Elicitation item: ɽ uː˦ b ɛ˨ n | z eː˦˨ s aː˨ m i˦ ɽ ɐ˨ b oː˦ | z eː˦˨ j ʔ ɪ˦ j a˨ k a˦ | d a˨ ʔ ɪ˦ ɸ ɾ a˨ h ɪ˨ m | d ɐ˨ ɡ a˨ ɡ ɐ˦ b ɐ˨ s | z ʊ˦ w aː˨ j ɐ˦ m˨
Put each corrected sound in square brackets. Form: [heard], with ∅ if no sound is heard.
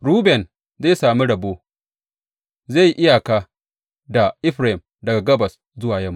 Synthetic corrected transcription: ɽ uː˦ b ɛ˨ n | z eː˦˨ s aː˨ m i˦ ɽ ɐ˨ b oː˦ | z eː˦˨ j ʔ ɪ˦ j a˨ k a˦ | d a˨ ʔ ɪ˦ ɸ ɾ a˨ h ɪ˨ m | d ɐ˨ ɡ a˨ ɡ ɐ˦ b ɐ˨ s | z ʊ˦ w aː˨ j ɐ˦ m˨